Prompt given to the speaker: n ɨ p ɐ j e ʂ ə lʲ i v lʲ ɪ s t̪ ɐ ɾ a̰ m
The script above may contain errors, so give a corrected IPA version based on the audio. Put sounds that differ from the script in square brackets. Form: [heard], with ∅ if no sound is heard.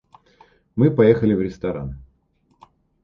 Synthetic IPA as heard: [m] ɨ p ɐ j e [x] ə lʲ [ɪ] v [ɾʲ] ɪ s t̪ ɐ ɾ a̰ [n]

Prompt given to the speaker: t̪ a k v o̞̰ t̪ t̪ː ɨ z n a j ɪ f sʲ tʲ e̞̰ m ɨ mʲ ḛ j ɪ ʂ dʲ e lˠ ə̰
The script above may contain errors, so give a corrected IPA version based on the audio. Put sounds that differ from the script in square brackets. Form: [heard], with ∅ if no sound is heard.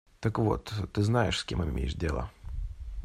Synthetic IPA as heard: t̪ [ə] k v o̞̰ t̪ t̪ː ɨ z n a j ɪ [ʂ] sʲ [kʲ] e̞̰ m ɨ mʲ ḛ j ɪ ʂ dʲ e lˠ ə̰

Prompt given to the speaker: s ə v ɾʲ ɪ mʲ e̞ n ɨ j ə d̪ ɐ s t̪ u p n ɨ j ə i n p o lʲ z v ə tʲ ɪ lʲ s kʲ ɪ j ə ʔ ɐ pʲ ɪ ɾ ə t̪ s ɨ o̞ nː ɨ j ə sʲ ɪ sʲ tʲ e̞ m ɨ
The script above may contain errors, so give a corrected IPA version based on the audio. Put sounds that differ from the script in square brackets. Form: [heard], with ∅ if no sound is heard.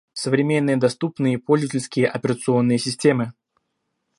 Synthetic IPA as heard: s ə v ɾʲ ɪ mʲ e̞ [nː] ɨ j ə d̪ ɐ s t̪ u p n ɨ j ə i [∅] p o lʲ z v ə tʲ ɪ lʲ s kʲ ɪ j ə ʔ ɐ pʲ ɪ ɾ ə t̪ s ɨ o̞ nː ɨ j ə sʲ ɪ sʲ tʲ e̞ m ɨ

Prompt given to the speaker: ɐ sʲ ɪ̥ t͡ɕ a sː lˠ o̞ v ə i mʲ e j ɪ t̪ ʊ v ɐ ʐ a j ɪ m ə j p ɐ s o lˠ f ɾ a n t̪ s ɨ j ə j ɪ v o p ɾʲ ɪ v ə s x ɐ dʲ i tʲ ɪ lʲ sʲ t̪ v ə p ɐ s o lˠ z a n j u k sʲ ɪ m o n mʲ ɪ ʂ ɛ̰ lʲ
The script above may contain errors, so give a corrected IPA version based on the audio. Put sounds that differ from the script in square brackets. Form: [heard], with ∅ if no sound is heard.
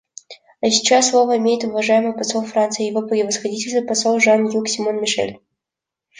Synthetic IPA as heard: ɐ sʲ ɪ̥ t͡ɕ a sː lˠ o̞ v ə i mʲ e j ɪ t̪ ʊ v ɐ ʐ a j ɪ m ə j p ɐ s o lˠ f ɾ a n t̪ s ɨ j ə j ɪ v o p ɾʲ ɪ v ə s x ɐ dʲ i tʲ ɪ lʲ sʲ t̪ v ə p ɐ s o lˠ [ʐ] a n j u k sʲ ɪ m o n mʲ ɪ ʂ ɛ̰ lʲ

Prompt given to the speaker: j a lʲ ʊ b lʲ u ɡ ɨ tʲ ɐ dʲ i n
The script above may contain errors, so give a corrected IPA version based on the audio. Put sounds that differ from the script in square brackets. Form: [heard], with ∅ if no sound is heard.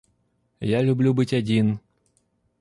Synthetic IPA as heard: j a lʲ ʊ b lʲ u [b] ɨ tʲ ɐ dʲ i n

